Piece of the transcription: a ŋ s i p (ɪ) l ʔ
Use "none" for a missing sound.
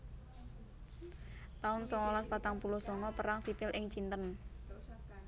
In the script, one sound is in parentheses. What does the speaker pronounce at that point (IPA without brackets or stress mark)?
ɪ